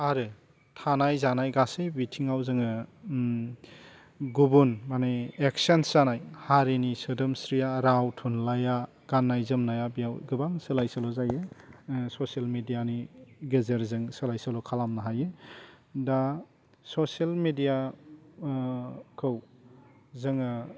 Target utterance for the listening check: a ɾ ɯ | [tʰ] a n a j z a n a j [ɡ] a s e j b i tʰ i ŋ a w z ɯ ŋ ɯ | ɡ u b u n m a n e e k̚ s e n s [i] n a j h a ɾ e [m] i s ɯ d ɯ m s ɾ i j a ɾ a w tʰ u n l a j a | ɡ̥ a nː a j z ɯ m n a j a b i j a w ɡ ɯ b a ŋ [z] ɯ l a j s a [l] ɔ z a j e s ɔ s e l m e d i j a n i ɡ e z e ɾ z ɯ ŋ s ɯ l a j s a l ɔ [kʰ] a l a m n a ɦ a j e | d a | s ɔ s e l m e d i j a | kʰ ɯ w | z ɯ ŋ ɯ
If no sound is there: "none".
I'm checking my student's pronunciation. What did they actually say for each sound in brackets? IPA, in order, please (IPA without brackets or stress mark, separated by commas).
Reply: tʰ, ɡ, a, n, s, l, kʰ